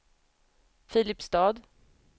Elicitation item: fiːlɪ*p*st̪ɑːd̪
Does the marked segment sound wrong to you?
no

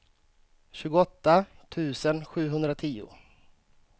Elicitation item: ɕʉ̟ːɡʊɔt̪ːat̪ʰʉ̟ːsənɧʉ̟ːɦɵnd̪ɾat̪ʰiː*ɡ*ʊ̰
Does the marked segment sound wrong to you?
yes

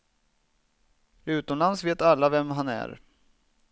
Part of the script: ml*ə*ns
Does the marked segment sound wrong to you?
yes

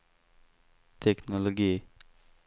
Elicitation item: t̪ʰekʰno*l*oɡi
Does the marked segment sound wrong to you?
no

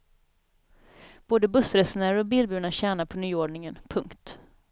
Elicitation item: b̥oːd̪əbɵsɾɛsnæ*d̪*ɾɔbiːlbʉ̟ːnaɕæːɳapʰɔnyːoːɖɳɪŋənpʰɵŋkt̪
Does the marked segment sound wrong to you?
yes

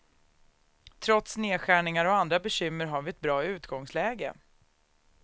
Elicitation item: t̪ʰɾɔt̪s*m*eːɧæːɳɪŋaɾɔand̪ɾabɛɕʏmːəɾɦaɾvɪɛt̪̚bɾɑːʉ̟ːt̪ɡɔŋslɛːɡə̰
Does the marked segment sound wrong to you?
yes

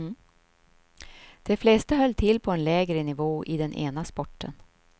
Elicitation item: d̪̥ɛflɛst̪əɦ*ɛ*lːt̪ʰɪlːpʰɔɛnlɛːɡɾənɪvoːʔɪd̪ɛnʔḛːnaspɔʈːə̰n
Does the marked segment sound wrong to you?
yes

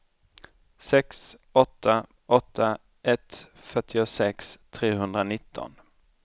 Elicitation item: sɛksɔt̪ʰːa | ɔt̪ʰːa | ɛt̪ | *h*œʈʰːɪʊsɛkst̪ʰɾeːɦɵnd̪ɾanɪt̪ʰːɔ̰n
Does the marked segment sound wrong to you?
yes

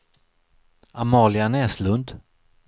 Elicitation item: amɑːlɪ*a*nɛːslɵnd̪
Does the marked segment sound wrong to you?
no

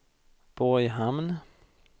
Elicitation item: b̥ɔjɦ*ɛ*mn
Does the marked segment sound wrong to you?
yes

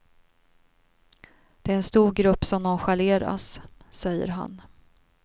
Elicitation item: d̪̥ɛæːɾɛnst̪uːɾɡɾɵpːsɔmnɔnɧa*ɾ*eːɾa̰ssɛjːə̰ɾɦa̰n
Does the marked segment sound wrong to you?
yes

